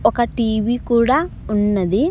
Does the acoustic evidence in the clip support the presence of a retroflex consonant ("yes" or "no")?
yes